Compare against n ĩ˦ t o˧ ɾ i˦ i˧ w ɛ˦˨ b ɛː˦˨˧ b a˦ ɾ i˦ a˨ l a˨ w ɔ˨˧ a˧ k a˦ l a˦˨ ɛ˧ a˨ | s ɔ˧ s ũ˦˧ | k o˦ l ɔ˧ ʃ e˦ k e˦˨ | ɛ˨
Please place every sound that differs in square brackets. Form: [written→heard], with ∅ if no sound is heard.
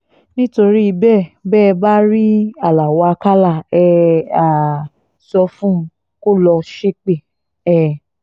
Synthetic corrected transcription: n ĩ˦ t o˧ ɾ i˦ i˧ [w→b] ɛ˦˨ b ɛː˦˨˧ b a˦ ɾ i˦ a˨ l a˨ w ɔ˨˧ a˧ k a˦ l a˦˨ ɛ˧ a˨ | s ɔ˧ [s→f] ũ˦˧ | k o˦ l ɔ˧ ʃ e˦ [k→k͡p] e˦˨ | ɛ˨